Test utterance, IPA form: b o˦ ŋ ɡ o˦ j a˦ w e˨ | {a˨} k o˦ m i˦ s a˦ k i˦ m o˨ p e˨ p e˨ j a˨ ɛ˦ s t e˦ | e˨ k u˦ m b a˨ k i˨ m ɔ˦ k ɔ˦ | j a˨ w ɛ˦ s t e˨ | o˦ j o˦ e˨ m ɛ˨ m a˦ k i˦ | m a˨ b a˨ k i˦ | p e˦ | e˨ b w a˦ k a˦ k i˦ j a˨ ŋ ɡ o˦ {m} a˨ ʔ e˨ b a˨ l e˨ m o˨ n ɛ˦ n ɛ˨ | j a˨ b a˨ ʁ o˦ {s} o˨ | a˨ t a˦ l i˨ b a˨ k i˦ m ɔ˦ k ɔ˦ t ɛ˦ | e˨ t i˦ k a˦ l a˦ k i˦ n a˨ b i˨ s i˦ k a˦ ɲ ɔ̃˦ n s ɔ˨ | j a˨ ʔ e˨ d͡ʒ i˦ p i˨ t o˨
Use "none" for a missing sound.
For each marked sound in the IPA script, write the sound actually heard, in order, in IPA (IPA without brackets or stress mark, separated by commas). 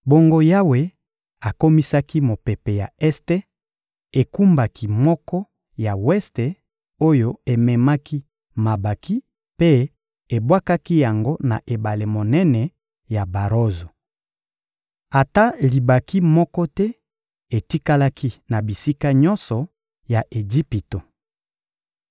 a˨, n, z